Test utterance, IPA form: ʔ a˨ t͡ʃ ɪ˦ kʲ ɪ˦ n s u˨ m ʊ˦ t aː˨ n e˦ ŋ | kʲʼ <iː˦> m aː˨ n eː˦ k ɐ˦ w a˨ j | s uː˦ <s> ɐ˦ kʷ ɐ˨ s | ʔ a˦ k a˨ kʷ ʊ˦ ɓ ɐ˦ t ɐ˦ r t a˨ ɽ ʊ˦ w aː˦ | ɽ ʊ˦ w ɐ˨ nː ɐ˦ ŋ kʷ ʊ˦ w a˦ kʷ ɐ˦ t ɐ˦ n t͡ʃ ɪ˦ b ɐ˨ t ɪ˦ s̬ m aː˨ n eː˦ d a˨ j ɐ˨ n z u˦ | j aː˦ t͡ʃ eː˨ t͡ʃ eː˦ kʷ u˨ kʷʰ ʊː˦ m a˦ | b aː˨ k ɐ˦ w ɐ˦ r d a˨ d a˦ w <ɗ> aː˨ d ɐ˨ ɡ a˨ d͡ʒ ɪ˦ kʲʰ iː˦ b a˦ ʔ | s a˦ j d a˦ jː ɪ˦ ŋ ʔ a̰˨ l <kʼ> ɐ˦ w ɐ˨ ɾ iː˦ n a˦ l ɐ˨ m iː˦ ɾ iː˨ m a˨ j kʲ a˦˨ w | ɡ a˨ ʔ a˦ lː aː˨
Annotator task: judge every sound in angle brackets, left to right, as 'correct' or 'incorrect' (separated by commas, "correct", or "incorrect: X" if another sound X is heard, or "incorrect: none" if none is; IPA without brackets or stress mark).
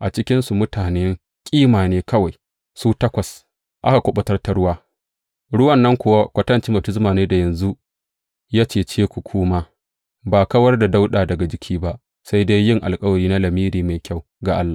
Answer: correct, incorrect: t, correct, correct